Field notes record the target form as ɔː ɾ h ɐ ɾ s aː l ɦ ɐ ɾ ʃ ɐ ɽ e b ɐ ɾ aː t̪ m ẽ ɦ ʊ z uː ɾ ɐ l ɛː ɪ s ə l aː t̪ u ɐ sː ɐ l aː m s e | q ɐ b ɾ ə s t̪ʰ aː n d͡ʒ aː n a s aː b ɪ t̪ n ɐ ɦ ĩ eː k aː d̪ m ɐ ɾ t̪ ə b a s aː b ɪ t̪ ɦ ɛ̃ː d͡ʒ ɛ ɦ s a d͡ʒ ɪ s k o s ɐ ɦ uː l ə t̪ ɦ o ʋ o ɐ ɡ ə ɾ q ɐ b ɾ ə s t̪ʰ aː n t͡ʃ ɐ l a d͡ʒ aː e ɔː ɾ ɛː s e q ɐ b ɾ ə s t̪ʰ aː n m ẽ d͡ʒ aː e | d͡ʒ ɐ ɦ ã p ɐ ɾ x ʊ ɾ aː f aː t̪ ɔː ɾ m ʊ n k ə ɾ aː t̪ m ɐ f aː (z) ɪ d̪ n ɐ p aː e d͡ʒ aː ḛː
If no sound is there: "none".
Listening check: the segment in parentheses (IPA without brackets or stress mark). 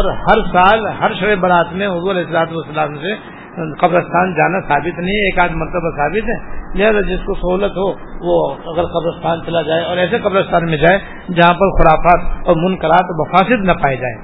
s